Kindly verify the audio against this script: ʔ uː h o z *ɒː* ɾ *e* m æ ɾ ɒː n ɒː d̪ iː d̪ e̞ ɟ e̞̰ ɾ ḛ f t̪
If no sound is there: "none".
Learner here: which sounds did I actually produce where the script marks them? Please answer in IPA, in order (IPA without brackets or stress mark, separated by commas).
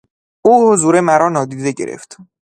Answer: uː, e